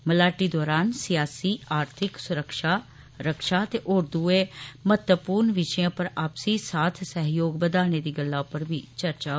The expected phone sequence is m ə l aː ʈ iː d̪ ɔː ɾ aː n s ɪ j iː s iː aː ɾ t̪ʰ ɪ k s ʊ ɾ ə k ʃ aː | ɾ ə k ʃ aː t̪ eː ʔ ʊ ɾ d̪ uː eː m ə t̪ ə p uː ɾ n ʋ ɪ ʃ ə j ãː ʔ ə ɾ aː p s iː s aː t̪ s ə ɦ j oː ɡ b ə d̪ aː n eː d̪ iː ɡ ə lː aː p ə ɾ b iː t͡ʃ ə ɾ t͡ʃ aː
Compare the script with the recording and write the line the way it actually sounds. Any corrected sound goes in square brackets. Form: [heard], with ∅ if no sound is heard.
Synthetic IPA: m ə l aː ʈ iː d̪ ɔː ɾ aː n s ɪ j [aː] s iː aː ɾ t̪ʰ ɪ k s ʊ ɾ ə k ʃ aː | ɾ ə k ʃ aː t̪ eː ʔ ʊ ɾ d̪ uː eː m ə t̪ ə p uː ɾ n ʋ ɪ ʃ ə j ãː [p] ə ɾ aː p s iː s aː [t̪ʰ] s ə ɦ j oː ɡ b ə d̪ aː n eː d̪ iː ɡ ə lː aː p ə ɾ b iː t͡ʃ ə ɾ t͡ʃ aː